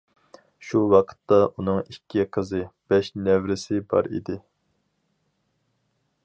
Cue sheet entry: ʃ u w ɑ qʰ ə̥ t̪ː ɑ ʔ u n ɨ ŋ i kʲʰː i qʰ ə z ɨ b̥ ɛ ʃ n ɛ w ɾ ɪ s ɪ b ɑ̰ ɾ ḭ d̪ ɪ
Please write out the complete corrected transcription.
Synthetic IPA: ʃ u w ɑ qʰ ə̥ t̪ː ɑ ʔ u n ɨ ŋ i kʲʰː i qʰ ə z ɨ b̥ ɛ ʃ n ɛ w ɾ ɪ s ɪ b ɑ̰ ɾ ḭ d̪ ɪ